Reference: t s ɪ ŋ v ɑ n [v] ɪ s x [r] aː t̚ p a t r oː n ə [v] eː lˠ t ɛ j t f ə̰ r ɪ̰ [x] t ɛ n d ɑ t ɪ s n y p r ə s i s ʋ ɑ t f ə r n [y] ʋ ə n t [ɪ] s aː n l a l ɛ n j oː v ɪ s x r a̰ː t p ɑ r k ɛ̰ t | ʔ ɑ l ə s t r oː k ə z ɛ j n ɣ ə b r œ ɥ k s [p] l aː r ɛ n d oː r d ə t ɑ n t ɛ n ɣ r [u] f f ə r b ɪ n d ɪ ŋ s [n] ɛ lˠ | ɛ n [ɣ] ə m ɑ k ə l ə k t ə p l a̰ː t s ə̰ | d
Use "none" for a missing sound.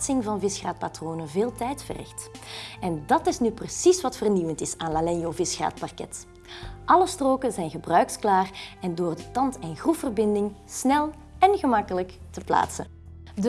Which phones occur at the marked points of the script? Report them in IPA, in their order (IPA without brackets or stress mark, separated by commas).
v, r, v, x, i, ɪ, k, u, n, ɣ